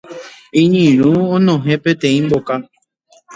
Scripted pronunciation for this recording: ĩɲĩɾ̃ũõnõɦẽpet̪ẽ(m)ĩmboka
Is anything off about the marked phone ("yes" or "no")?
yes